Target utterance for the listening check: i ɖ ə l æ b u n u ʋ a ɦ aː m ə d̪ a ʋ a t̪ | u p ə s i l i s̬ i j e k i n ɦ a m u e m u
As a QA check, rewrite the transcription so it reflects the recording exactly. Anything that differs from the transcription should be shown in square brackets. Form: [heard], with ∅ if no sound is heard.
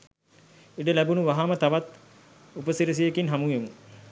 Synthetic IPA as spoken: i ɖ ə l æ b u n u ʋ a ɦ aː m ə [t̪] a ʋ a t̪ | u p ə s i [ɾ] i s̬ i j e k i n ɦ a m u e m u